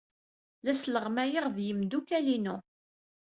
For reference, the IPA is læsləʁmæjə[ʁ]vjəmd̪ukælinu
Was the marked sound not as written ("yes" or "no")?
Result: no